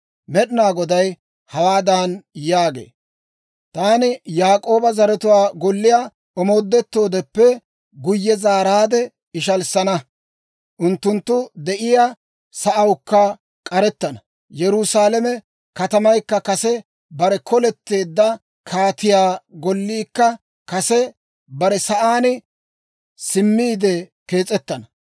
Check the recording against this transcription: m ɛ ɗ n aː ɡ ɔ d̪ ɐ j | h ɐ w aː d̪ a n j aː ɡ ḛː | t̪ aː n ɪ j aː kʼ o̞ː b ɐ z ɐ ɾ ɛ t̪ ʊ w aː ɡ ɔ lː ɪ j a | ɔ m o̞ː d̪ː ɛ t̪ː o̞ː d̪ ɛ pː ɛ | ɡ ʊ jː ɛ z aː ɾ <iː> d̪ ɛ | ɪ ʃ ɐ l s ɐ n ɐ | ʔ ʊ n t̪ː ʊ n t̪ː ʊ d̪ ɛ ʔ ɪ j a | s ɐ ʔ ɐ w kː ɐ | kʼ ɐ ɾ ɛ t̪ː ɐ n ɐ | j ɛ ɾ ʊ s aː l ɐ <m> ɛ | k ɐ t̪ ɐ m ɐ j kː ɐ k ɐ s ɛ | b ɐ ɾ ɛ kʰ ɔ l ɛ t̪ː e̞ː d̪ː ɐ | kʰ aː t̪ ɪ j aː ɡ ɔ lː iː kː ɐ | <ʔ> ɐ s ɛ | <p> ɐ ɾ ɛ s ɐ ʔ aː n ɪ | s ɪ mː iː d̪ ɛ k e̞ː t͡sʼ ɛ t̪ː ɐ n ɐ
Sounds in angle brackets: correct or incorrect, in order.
incorrect: aː, correct, incorrect: k, incorrect: b

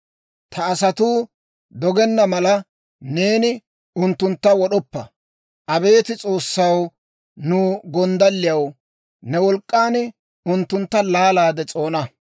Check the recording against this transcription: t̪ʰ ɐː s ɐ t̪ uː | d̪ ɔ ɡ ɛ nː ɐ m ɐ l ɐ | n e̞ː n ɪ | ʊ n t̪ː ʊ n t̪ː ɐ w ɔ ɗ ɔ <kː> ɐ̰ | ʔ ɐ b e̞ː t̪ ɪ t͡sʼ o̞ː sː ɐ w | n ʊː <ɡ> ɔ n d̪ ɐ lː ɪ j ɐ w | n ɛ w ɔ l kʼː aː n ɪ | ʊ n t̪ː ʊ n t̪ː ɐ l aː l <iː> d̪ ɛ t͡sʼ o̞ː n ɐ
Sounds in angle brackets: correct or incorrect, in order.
incorrect: pː, correct, incorrect: aː

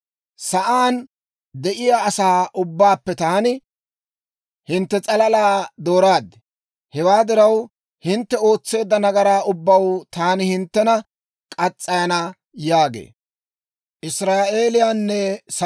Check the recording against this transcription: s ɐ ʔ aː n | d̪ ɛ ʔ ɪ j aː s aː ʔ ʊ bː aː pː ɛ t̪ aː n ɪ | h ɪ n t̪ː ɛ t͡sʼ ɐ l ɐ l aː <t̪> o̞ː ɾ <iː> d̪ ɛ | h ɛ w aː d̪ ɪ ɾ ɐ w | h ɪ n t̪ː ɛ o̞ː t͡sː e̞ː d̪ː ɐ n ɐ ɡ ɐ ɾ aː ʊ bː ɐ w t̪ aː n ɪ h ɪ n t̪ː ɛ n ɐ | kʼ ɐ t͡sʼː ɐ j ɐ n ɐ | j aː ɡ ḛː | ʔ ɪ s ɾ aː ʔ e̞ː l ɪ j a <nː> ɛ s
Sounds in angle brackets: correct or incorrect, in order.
incorrect: d̪, incorrect: aː, correct

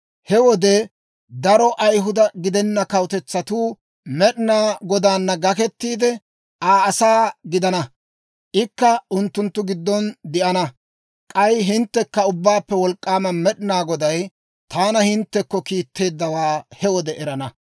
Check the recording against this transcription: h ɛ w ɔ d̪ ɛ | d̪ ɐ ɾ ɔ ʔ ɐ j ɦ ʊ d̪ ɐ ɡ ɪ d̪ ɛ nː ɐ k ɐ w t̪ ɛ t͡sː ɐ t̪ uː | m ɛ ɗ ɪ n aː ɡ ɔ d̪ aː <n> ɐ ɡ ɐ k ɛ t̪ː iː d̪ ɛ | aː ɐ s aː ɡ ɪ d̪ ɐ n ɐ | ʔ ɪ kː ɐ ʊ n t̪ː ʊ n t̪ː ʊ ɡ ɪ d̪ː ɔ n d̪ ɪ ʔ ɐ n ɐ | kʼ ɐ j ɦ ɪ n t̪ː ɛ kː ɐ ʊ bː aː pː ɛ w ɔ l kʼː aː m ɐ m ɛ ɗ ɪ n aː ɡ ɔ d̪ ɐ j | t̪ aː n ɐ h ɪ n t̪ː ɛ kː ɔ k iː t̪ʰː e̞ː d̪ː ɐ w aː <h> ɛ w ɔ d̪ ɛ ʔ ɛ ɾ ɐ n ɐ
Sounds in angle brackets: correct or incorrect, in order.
incorrect: nː, correct

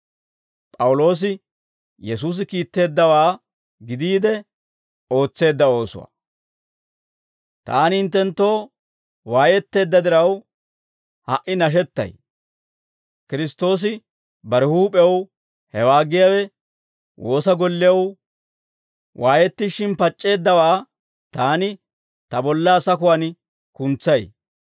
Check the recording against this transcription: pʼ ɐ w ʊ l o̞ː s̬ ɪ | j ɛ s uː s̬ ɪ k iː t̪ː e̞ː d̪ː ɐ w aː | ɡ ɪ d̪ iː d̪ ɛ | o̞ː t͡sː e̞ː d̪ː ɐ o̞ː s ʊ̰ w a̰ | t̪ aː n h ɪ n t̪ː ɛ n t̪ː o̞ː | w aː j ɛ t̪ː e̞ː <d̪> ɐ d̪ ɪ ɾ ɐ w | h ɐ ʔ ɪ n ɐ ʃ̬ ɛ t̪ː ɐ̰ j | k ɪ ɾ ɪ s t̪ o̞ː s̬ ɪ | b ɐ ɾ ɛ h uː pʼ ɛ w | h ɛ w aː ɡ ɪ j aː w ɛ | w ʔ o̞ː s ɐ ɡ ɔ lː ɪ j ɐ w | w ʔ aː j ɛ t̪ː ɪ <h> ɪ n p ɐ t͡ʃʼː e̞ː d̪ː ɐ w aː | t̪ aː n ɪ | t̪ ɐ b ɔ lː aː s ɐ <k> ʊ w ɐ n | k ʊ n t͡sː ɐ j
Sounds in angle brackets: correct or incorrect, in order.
incorrect: d̪ː, incorrect: ʃ, correct

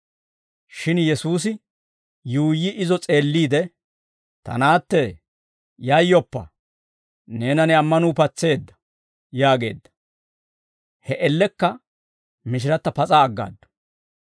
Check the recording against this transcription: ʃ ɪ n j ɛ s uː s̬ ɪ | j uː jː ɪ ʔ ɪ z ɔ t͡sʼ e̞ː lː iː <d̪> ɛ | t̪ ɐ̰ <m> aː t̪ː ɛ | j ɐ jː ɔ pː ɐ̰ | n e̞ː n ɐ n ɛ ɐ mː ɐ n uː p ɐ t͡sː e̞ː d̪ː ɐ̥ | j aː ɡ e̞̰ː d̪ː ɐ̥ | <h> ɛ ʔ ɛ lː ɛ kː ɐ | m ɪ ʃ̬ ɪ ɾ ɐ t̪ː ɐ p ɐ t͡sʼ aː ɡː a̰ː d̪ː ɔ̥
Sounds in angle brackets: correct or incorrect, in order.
correct, incorrect: n, correct

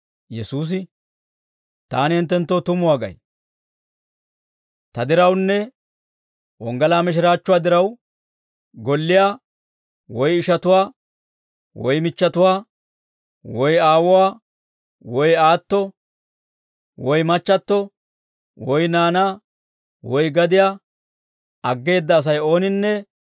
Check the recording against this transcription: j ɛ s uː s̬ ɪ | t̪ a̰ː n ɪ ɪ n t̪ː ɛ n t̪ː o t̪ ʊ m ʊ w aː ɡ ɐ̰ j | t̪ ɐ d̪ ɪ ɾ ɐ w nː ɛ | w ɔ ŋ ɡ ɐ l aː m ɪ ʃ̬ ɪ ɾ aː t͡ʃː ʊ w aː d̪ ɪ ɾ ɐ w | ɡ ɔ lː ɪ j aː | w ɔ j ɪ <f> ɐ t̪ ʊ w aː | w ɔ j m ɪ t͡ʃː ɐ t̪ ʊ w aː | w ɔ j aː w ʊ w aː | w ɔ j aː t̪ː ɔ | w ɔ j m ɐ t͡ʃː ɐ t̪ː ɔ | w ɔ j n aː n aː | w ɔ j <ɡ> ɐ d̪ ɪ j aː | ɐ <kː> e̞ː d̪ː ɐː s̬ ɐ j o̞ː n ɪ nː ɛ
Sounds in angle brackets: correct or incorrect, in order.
incorrect: ʃ, correct, incorrect: ɡː

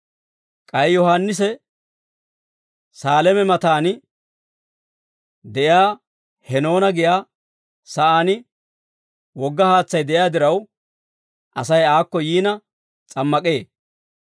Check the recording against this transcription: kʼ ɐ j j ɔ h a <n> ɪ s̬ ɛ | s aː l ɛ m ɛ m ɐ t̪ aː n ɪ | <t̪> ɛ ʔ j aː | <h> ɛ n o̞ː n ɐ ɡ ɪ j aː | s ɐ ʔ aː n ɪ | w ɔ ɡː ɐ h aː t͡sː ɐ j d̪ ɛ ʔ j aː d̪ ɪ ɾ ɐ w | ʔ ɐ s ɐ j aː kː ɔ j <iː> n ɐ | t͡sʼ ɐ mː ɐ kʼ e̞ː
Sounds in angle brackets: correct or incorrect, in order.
incorrect: nː, incorrect: d̪, correct, correct

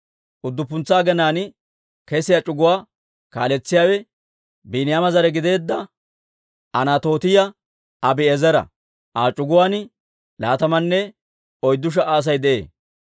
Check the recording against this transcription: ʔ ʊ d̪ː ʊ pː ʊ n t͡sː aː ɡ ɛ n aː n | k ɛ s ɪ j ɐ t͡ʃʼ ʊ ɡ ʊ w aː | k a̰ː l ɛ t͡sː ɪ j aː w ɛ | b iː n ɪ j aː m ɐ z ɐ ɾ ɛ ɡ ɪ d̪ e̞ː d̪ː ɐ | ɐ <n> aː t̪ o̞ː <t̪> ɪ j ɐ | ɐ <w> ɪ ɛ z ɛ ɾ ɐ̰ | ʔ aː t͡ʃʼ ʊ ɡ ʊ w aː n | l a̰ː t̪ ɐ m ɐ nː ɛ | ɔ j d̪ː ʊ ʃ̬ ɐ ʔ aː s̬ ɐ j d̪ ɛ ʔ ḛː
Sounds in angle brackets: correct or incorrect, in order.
correct, correct, incorrect: b

